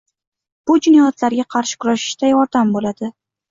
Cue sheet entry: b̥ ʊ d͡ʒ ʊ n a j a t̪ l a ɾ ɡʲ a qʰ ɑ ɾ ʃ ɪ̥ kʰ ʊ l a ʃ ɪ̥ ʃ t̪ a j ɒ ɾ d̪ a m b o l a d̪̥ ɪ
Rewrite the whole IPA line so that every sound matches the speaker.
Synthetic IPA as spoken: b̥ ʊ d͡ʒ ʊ n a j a t̪ l a ɾ ɡʲ a qʰ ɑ ɾ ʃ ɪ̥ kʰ ʊ ɾ a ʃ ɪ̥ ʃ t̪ a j ɒ ɾ d̪ a m b o l a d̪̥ ɪ

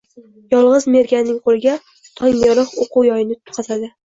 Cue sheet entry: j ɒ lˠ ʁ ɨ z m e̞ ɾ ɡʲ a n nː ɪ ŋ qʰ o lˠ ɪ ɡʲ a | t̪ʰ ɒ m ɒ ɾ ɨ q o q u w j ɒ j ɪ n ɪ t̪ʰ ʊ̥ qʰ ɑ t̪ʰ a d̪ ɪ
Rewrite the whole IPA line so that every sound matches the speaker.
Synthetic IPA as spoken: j ɒ lˠ ʁ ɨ z m e̞ ɾ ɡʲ a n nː ɪ ŋ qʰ o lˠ ɪ ɡʲ a | t̪ʰ ɒ ŋ ɒ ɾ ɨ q o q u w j ɒ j ɪ n ɪ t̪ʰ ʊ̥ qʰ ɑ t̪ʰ a d̪ ɪ

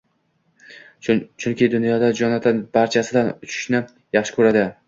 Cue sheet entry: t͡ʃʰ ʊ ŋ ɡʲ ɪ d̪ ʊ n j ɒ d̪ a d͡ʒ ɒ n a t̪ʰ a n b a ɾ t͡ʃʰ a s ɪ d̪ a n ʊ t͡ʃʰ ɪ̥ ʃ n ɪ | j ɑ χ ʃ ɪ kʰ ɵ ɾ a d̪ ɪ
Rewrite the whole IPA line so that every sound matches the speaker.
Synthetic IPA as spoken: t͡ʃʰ ʊ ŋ kʲ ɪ d̪ ʊ n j ɒ d̪ a d͡ʒ ɒ n a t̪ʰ a n b a ɾ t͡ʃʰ a s ɪ d̪ a n ʊ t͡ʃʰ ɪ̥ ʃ n ɪ | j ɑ χ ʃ ɪ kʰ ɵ ɾ a d̪ ɪ

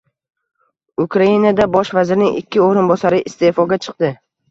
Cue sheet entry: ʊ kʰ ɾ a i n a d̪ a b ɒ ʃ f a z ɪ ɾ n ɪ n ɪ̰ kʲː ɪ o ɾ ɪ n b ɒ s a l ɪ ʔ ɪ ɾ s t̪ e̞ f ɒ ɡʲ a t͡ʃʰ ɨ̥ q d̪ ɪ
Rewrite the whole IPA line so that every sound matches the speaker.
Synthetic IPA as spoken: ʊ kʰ ɾ a i n a d̪ a b ɒ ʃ v a z ɪ ɾ n ɪ ŋ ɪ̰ kʲː ɪ o ɾ ɪ n b ɒ s a ɾ ɪ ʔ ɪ s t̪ e̞ f ɒ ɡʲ a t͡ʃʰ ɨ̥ q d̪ ɪ

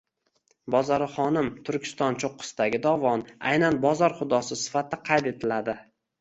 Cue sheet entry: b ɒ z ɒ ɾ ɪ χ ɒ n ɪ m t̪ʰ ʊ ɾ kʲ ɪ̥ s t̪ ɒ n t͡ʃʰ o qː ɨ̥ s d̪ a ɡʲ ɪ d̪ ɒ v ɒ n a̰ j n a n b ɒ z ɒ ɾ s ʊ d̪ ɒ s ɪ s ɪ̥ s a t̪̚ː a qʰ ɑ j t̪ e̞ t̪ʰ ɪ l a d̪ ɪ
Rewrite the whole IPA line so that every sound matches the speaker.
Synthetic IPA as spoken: b ɒ z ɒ ɾ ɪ χ ɒ n ɪ m t̪ʰ ʊ ɾ kʲ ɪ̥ s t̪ ɒ n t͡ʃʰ o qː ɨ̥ s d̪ a ɡʲ ɪ d̪ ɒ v ɒ n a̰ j n a n b ɒ z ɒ ɾ χ ʊ d̪ ɒ s ɪ s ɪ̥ f a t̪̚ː a qʰ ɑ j t̪ e̞ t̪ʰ ɪ l a d̪ ɪ

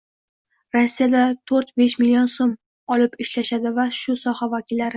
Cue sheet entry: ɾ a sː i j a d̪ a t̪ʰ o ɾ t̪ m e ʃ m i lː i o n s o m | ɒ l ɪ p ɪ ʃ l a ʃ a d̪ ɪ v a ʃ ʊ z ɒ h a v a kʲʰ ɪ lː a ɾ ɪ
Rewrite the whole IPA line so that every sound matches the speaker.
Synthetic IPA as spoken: ɾ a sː i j a d̪ a t̪ʰ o ɾ t̪ b e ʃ m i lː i o n s o m | ɒ l ɪ p ɪ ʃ l a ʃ a d̪ ɪ v a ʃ ʊ s ɒ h a v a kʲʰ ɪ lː a ɾ ɪ

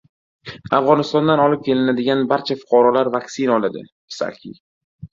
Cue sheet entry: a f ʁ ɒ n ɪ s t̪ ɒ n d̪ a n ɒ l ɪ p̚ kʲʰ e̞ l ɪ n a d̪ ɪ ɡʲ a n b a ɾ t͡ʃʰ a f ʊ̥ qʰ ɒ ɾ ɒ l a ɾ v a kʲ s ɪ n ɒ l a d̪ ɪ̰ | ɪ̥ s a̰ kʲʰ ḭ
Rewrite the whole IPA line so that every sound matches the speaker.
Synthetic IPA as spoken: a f ʁ ɒ n ɪ s t̪ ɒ n d̪ a n ɒ l ɪ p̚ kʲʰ e̞ l ɪ n a d̪ ɪ ɡʲ a n b a ɾ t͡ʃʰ a f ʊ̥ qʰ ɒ ɾ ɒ l a ɾ v a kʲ s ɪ n ɒ l a d̪ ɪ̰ | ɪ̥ s a̰ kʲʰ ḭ

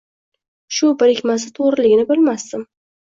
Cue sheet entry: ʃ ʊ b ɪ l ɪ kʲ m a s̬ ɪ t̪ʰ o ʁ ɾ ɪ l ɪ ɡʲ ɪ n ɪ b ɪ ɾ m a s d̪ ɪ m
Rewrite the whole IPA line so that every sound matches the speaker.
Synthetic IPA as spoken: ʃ ʊ b ɪ ɾ ɪ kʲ m a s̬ ɪ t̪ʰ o ʁ ɾ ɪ l ɪ ɡʲ ɪ n ɪ b ɪ l m a s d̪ ɪ m

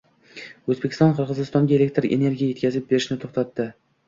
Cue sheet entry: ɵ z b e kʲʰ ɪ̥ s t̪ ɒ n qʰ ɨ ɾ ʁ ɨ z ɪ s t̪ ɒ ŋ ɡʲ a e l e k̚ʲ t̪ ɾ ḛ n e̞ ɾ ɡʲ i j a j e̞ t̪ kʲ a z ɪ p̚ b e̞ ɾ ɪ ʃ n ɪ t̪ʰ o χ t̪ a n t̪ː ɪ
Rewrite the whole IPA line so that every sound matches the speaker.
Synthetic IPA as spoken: ɵ z b e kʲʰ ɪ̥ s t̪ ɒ n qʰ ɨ ɾ ʁ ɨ z ɪ s t̪ ɒ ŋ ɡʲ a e l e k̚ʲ t̪ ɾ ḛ n e̞ ɾ ɡʲ i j a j e̞ t̪ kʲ a z ɪ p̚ b e̞ ɾ ɪ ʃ n ɪ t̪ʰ o χ t̪ a t̪ː ɪ

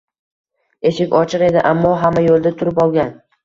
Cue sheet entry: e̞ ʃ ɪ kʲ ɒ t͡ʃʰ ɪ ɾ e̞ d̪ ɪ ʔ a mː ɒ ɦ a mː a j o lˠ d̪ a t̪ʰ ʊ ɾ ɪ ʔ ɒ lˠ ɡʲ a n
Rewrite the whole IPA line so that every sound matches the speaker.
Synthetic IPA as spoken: e̞ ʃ ɪ kʲ ɒ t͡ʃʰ ɪ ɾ e̞ d̪ ɪ ʔ a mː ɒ ɦ a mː a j o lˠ d̪ a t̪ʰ ʊ ɾ ɪ p ɒ lˠ ɡʲ a n

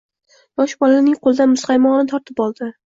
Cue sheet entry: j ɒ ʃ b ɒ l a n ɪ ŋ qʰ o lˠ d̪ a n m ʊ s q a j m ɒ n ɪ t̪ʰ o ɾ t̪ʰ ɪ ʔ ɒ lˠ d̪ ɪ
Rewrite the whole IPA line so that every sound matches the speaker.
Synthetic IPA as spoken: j ɒ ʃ b ɒ l a n ɪ ŋ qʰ o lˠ d̪ a n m ʊ s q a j m ɒ n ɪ t̪ʰ ɒ ɾ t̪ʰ ɪ p ɒ lˠ d̪ ɪ

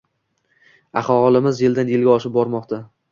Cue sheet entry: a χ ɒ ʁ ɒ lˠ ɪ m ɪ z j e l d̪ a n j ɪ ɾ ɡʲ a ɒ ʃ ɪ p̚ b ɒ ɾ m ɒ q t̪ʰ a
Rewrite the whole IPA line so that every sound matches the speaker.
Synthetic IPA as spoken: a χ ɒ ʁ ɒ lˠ ɪ m ɪ z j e l d̪ a n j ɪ l ɡʲ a ɒ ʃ ɪ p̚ b ɒ ɾ m ɒ q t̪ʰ a

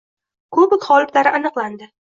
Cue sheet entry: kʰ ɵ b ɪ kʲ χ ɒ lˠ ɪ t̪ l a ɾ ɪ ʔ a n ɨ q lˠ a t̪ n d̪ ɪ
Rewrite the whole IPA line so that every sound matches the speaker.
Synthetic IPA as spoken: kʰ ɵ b ɪ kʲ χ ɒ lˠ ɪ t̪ l a ɾ ɪ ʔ a n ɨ q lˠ a n d̪ ɪ

